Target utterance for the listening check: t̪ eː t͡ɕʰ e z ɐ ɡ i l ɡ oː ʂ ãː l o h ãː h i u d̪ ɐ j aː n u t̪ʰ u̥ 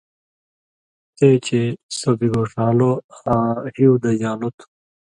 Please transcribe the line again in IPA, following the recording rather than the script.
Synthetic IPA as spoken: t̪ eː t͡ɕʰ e s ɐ b i ɡ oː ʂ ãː l o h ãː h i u d̪ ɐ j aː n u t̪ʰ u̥